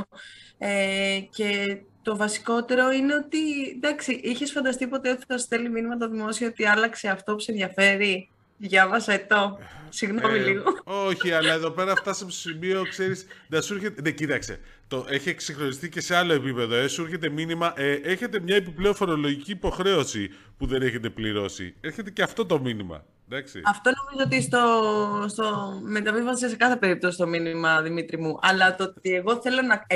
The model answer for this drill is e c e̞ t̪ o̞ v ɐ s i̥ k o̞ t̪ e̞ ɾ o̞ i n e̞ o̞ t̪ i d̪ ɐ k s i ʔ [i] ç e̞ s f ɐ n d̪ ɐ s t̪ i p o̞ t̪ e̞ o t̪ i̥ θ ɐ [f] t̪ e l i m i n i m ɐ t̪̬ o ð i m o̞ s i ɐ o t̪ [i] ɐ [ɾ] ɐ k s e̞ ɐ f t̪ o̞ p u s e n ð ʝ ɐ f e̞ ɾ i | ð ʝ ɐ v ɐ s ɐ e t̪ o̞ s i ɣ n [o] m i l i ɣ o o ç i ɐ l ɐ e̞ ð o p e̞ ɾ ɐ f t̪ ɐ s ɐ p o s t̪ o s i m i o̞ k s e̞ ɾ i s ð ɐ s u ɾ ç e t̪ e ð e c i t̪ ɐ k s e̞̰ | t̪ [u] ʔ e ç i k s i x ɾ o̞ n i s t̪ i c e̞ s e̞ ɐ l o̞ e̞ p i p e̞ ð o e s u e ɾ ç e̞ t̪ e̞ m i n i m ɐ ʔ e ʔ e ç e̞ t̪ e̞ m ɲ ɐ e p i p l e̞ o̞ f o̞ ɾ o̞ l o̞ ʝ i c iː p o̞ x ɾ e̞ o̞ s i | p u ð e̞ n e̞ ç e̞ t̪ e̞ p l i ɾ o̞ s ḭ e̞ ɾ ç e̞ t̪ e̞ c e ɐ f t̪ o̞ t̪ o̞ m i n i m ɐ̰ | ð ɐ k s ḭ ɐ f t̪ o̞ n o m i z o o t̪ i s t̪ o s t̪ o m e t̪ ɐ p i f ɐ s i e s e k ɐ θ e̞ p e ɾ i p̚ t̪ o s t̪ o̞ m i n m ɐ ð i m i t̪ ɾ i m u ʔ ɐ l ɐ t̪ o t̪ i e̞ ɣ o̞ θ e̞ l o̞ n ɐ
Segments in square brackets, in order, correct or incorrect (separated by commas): correct, incorrect, correct, incorrect, correct, incorrect